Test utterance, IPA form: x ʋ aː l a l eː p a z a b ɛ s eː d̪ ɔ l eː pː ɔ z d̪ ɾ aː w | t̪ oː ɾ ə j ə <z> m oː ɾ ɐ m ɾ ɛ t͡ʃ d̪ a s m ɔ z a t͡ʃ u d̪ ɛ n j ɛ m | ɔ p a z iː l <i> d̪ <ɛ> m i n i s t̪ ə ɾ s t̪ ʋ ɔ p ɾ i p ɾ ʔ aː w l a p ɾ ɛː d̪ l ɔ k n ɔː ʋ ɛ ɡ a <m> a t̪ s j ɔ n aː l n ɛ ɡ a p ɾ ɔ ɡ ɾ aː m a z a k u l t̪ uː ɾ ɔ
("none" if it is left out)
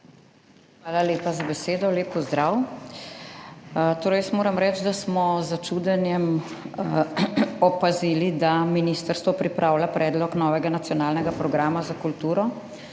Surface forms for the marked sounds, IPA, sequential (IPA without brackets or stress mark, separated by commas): s, i, a, n